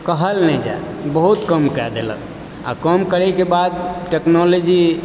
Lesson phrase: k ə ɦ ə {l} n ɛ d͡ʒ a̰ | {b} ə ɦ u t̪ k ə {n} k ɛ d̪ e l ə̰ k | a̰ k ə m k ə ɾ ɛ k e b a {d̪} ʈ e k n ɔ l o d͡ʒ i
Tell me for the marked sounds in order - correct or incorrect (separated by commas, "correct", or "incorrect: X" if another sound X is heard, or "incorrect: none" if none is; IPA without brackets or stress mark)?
correct, correct, incorrect: m, correct